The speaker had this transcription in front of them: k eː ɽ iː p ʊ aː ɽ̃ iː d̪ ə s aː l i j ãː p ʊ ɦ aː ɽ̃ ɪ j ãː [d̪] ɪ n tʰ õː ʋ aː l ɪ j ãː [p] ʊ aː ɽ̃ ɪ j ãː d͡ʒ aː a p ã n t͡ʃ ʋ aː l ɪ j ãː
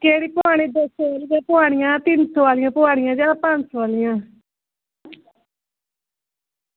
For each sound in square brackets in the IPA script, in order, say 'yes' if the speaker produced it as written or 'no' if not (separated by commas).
no, yes